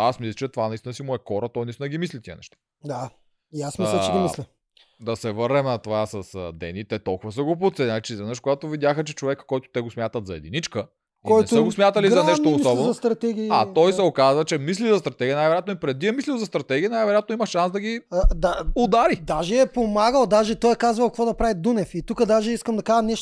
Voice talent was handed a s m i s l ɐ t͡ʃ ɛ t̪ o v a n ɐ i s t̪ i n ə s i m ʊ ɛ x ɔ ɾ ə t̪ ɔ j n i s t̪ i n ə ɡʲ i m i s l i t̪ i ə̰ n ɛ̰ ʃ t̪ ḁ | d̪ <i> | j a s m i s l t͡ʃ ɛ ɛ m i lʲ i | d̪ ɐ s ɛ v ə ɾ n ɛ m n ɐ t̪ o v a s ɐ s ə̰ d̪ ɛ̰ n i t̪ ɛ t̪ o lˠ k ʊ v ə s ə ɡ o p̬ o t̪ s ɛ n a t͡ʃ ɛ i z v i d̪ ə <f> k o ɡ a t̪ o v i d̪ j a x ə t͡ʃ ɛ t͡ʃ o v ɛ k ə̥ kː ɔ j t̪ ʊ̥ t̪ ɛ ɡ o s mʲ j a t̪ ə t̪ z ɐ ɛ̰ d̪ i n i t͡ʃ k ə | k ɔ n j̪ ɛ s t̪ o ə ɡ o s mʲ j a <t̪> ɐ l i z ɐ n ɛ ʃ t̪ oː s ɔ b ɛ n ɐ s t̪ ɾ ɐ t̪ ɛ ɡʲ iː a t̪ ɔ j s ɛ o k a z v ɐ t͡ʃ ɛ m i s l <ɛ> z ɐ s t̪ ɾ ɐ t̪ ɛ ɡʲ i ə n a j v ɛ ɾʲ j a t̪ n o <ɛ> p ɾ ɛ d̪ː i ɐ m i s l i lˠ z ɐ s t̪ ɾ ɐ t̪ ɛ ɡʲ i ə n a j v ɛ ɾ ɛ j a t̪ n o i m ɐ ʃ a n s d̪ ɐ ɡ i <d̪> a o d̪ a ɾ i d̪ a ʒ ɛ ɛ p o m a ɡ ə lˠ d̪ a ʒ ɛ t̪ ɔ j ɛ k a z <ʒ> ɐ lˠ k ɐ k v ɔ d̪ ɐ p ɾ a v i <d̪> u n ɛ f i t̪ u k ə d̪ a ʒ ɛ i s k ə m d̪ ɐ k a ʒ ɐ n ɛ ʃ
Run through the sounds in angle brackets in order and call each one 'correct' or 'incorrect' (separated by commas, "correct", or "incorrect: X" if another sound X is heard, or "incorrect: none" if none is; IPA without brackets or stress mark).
incorrect: a, incorrect: ʃ, correct, incorrect: i, incorrect: i, correct, incorrect: v, correct